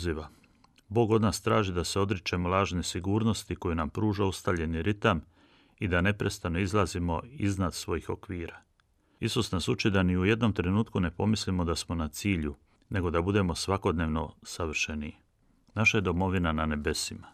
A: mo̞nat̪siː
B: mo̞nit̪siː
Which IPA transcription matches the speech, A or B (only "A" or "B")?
A